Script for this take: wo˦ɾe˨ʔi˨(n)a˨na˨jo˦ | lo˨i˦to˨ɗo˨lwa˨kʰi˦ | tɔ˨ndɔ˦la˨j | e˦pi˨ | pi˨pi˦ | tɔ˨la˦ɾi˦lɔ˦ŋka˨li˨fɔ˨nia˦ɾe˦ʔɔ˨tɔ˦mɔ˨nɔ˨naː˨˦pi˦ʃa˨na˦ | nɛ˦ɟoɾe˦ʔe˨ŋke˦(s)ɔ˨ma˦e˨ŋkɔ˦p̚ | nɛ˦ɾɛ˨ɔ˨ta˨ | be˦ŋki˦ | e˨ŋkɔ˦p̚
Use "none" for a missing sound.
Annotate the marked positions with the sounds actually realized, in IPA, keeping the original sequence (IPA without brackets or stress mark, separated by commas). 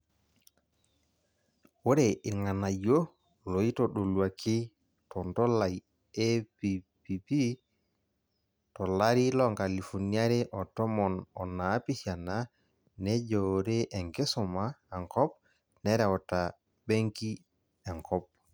ŋ, s